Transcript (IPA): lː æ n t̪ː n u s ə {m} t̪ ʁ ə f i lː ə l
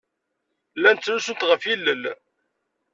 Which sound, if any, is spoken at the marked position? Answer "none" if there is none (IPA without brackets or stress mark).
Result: n